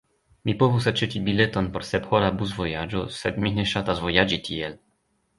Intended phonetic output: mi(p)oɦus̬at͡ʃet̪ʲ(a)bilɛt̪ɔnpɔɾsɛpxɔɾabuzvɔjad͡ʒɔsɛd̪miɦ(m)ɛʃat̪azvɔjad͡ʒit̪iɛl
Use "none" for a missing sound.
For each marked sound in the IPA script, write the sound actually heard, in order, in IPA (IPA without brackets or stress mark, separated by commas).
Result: p, i, n